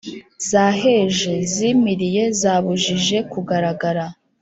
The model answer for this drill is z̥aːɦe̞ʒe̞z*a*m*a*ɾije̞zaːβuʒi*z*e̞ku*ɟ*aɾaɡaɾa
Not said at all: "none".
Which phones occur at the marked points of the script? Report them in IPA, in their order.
i, i, ʒ, ɡ

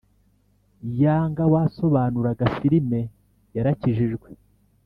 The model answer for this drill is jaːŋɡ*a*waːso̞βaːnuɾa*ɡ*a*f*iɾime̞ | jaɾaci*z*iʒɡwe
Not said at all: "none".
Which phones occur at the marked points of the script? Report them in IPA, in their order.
a, ɡ, f, ʒ

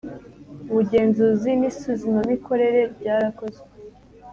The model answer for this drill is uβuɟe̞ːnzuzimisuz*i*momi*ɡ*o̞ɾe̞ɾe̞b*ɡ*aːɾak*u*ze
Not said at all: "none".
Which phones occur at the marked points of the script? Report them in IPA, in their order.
i, k, ɟ, o

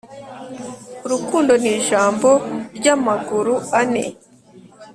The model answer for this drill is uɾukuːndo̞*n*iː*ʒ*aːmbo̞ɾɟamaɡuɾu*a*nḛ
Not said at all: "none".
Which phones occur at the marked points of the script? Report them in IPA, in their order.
n, ʒ, a

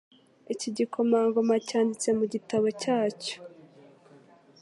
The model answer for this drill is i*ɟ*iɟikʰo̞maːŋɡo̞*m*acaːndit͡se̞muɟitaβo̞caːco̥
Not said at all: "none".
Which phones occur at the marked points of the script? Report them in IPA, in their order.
c, m

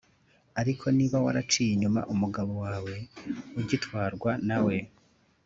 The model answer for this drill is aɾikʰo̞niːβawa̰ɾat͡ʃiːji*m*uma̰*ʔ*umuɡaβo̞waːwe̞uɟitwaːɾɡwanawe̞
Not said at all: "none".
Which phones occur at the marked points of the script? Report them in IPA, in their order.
ɲ, ʔ

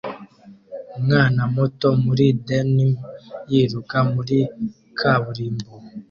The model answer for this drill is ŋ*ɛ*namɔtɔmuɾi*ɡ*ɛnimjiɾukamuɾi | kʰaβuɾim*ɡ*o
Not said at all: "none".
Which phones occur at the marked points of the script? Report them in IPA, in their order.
a, d, b

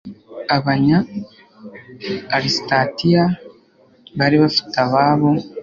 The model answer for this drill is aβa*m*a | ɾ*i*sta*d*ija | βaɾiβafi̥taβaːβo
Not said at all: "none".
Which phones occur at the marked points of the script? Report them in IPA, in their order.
ɲ, i, t

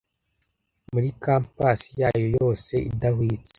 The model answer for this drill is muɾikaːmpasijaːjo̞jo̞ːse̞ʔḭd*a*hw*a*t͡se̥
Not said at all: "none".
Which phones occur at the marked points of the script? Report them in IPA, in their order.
a, i

